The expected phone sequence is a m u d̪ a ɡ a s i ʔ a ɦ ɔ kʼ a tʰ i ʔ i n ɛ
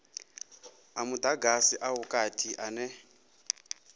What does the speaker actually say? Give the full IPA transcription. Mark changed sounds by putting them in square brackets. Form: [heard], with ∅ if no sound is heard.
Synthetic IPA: a m u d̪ a ɡ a s i ʔ a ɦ [u] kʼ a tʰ i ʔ [a] n ɛ